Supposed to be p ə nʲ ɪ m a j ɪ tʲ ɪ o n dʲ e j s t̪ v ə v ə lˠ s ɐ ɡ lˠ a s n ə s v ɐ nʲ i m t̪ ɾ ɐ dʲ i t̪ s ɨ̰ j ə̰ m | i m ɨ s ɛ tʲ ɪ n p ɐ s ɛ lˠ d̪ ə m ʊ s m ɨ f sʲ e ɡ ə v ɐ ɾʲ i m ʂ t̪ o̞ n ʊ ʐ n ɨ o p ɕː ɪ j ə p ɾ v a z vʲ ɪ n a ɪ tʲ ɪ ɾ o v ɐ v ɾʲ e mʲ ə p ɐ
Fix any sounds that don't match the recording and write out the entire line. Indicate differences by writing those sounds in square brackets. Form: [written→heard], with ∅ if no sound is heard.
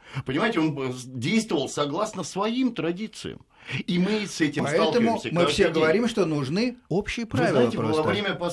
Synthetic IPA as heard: p ə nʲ ɪ m a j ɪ tʲ ɪ o n dʲ e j s t̪ v ə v ə lˠ s ɐ ɡ lˠ a s n ə s v ɐ [nʲ→∅] i m t̪ ɾ ɐ dʲ i t̪ s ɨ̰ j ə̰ m | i m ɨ s ɛ tʲ ɪ [n→m] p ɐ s ɛ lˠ [d̪→t̪] ə m ʊ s m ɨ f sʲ e ɡ ə v ɐ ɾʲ i m ʂ t̪ o̞ n ʊ ʐ n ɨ o p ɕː ɪ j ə p ɾ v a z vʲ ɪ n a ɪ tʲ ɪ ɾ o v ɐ v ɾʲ e mʲ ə p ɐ